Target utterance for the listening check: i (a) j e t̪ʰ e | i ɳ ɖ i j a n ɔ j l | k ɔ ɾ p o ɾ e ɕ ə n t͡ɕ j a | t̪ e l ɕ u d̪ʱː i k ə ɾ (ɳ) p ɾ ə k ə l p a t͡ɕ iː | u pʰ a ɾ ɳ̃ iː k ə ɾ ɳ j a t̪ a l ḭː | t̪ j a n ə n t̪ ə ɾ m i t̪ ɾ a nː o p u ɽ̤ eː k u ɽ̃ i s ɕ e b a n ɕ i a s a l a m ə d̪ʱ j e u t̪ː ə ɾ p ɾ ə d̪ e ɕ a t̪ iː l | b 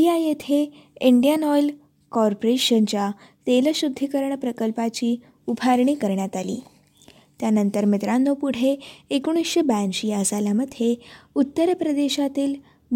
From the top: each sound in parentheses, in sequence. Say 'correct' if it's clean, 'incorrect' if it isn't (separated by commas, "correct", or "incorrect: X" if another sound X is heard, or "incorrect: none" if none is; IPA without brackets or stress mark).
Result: correct, correct